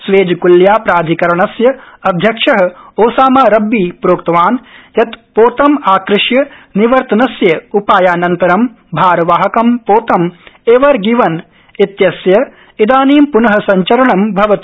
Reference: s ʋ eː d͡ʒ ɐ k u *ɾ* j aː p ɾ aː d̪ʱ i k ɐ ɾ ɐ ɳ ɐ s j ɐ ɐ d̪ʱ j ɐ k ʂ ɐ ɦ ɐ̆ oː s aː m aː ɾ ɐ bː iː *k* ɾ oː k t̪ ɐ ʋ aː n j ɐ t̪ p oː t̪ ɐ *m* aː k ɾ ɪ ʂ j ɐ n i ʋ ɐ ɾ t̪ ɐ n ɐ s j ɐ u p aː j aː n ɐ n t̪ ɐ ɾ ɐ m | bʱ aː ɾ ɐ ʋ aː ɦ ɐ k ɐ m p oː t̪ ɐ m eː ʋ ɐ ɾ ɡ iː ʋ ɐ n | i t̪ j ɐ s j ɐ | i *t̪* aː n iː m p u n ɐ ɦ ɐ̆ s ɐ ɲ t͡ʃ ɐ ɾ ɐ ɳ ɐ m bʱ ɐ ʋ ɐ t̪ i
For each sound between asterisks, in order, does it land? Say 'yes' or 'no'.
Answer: no, no, yes, no

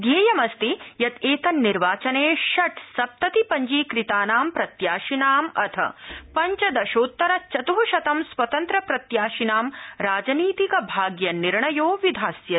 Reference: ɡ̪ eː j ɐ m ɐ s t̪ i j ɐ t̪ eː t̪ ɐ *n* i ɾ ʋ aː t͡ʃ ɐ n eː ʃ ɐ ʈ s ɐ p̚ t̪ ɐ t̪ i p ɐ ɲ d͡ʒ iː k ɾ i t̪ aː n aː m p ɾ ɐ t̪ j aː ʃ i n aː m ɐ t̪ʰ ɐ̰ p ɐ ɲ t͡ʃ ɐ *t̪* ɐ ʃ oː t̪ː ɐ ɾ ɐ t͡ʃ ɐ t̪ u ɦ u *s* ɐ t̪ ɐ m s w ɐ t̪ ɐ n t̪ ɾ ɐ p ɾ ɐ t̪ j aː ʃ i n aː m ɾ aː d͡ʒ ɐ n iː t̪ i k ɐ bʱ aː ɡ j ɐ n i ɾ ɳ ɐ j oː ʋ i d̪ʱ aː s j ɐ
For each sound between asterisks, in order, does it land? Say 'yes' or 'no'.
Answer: no, no, no

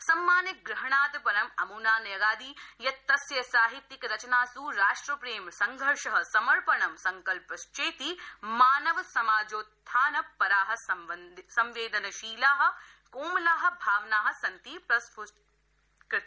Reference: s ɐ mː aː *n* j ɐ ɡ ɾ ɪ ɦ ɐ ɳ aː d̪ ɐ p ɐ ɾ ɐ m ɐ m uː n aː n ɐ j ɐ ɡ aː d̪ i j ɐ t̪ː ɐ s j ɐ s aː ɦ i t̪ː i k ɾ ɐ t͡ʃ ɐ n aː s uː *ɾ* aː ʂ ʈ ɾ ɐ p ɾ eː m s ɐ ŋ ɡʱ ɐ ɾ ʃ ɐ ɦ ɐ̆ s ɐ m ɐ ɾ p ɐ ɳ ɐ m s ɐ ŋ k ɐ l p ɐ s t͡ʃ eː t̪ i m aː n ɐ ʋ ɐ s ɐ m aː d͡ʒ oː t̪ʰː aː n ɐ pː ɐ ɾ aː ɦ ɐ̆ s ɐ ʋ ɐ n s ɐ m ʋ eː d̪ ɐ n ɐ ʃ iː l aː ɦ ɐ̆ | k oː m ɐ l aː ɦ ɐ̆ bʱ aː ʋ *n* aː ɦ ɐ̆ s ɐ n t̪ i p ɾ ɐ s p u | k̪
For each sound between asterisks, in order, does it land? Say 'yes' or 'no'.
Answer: yes, yes, yes

